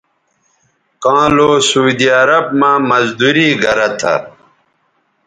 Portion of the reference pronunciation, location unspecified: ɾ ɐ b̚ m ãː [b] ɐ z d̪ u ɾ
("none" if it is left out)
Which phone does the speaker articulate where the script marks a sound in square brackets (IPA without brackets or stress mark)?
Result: m